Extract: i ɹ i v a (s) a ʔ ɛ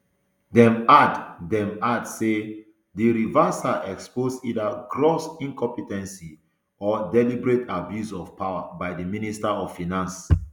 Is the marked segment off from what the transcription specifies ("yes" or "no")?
no